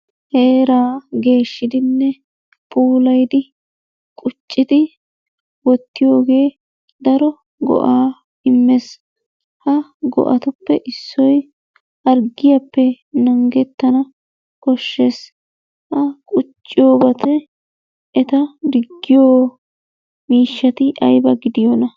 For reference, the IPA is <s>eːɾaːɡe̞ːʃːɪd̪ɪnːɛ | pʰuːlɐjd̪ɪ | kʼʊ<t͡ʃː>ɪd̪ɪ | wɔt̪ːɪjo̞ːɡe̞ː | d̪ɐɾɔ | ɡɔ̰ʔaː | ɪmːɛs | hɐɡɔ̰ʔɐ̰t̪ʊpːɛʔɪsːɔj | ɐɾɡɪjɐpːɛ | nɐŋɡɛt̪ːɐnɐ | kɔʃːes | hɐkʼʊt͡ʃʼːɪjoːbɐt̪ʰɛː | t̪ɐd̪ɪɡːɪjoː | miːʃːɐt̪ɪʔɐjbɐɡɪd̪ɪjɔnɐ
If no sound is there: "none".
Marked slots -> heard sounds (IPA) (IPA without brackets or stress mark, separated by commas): h, t͡ʃʼː